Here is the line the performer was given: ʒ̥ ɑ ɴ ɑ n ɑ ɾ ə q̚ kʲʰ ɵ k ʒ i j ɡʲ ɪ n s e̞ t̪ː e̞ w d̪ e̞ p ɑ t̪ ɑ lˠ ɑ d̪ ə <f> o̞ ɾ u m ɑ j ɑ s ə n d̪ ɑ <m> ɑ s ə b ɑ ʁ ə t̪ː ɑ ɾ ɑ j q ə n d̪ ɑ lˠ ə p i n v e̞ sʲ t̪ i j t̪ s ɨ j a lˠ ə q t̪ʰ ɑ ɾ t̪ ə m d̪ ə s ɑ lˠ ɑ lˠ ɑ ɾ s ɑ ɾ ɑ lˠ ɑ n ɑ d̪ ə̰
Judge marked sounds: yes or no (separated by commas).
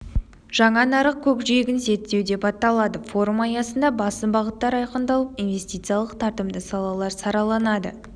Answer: yes, no